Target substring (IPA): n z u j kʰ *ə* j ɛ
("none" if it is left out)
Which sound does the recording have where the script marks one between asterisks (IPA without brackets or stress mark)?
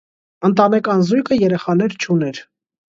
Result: ə